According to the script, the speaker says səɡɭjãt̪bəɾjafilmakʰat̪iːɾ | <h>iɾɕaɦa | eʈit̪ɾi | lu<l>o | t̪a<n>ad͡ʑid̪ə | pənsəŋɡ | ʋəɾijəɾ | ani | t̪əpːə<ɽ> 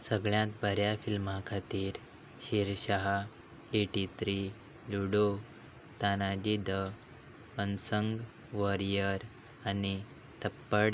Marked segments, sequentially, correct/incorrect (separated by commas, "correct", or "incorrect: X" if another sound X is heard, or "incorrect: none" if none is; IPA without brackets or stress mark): incorrect: ɕ, incorrect: ɽ, correct, correct